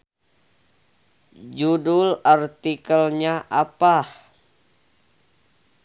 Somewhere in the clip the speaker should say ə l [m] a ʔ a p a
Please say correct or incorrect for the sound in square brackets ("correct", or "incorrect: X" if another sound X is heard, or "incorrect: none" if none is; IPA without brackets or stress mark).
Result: incorrect: ɲ